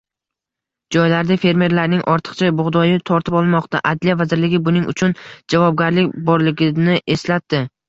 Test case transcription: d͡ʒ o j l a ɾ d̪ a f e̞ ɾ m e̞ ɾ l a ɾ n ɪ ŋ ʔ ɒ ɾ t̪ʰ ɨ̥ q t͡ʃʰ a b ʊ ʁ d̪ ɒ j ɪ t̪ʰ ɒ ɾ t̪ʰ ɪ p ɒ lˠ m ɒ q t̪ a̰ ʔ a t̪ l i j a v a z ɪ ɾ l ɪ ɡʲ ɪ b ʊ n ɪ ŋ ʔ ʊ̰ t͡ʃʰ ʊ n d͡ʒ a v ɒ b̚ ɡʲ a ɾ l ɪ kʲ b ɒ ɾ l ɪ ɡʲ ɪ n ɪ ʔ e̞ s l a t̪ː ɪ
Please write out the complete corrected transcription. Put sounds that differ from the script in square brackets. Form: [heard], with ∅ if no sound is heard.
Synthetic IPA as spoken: d͡ʒ [ɒ] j l a ɾ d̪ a f e̞ ɾ m e̞ ɾ l a ɾ n ɪ ŋ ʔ ɒ ɾ t̪ʰ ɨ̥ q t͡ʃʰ a b ʊ ʁ d̪ ɒ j ɪ t̪ʰ ɒ ɾ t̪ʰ ɪ p ɒ lˠ m ɒ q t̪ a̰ ʔ a [d̪] l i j a v a z ɪ ɾ l ɪ ɡʲ ɪ b ʊ n ɪ ŋ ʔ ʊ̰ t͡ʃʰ ʊ n d͡ʒ a v ɒ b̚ ɡʲ a ɾ l ɪ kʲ b ɒ ɾ l ɪ ɡʲ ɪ n ɪ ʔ e̞ s l a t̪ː ɪ